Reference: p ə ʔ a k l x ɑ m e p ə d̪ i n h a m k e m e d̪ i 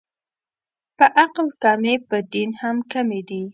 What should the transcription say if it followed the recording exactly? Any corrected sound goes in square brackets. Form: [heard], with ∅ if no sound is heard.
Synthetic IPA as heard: p ə ʔ a [q] l [k] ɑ m e p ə d̪ i n h a m k [a] m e d̪ i